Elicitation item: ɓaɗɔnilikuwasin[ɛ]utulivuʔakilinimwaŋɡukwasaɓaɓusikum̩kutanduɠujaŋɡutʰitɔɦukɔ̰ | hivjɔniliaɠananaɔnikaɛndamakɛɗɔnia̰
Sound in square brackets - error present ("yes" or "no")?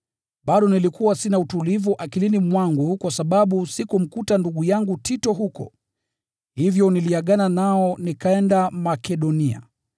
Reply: yes